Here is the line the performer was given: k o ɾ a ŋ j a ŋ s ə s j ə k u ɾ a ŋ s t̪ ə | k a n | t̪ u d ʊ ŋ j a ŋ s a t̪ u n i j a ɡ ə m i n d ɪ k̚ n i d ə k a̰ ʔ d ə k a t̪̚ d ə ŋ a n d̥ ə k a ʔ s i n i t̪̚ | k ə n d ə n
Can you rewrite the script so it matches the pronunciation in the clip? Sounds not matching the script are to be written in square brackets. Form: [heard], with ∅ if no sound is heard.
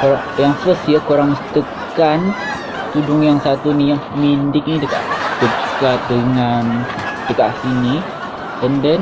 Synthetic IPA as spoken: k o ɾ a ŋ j a ŋ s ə s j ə k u ɾ a ŋ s t̪ ə | k a n | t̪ u d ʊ ŋ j a ŋ s a t̪ u n i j a [ŋ] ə m i n d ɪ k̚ n i d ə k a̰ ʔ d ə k a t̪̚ d ə ŋ a n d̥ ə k a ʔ s i n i [∅] | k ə n d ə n